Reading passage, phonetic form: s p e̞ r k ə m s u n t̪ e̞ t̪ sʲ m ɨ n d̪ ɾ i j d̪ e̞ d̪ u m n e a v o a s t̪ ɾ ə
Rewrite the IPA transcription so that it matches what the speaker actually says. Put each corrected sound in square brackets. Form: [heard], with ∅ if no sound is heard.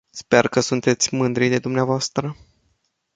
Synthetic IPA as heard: s p e̞ r k ə [∅] s u n t̪ e̞ t̪ sʲ m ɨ n d̪ ɾ i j d̪ e̞ d̪ u m n e a v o a s t̪ ɾ ə